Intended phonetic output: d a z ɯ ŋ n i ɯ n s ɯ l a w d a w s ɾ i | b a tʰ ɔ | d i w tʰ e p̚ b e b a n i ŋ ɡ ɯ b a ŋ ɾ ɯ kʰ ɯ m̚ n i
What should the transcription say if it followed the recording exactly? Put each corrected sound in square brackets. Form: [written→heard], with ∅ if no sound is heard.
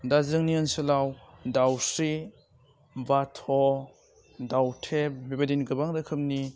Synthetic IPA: d a z ɯ ŋ n i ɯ n s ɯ l a w d a w s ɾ i | b a tʰ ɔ | d [i→a] w tʰ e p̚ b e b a [n→d] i [ŋ→n] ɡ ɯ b a ŋ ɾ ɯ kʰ ɯ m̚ n i